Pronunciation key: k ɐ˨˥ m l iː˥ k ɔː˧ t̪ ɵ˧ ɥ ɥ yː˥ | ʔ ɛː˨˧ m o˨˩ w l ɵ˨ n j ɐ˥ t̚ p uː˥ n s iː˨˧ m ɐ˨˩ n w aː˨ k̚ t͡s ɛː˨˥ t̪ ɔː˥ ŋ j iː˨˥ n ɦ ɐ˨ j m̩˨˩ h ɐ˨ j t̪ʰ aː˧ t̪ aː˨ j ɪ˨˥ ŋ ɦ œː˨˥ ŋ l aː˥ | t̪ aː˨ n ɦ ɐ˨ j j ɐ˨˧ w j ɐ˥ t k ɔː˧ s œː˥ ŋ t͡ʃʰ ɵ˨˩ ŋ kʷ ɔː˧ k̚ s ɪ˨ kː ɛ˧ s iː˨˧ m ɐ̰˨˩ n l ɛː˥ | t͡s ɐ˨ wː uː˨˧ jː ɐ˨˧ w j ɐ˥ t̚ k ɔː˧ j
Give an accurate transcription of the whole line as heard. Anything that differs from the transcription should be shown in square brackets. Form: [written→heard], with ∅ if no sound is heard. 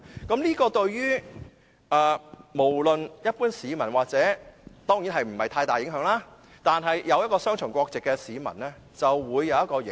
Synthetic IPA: k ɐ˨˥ m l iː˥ k ɔː˧ t̪ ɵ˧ ɥ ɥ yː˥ | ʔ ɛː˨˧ m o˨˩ w l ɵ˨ n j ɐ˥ t̚ p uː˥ n s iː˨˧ m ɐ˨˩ n w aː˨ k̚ t͡s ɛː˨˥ t̪ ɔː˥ ŋ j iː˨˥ n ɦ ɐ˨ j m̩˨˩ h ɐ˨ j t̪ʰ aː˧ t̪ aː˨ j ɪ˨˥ ŋ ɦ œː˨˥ ŋ l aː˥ | t̪ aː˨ n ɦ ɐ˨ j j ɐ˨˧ w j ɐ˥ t k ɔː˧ s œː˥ ŋ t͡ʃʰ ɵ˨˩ ŋ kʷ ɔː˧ k̚ [s→t͡s] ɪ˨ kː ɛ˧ s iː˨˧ m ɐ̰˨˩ n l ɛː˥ | t͡s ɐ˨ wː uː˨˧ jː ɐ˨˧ w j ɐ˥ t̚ k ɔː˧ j